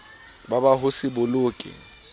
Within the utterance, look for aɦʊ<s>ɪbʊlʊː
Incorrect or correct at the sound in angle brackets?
correct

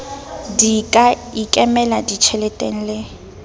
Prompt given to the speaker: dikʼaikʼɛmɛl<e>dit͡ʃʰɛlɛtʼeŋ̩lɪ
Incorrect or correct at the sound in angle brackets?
incorrect: a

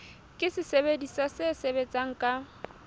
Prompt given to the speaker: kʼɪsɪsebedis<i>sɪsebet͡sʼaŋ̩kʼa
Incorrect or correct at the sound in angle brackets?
incorrect: a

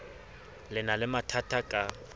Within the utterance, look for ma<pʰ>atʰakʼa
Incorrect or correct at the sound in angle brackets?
incorrect: tʰ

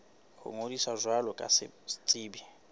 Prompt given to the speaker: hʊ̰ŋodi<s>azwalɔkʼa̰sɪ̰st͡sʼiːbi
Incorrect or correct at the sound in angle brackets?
correct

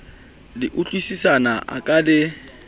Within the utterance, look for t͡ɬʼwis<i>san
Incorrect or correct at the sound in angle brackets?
correct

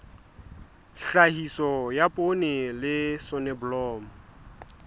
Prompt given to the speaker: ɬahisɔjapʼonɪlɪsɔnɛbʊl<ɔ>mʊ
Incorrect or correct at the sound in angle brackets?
incorrect: ɔː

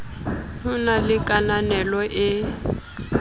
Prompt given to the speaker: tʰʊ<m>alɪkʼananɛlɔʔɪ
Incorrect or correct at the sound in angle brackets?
incorrect: n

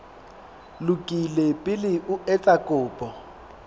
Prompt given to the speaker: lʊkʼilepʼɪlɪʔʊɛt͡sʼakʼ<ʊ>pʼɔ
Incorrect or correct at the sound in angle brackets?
incorrect: ʊː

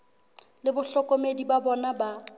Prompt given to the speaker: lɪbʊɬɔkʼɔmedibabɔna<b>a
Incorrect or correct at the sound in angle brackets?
correct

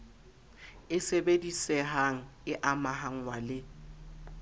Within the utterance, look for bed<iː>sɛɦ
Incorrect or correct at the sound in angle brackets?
incorrect: i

